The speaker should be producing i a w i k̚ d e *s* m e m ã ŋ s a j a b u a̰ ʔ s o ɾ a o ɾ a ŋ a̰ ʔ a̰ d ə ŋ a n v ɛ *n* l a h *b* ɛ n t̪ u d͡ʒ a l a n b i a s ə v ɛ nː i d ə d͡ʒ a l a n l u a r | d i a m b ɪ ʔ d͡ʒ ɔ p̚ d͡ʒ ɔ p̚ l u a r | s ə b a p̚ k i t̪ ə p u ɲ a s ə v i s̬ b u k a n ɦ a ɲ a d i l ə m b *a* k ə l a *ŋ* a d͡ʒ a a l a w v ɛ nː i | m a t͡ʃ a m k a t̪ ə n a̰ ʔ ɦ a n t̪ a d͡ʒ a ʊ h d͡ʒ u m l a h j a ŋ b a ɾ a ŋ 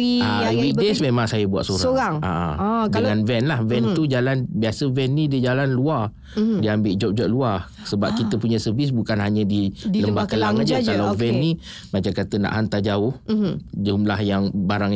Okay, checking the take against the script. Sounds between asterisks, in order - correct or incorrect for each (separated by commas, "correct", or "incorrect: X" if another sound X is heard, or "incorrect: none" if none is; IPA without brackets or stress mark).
correct, correct, incorrect: v, correct, correct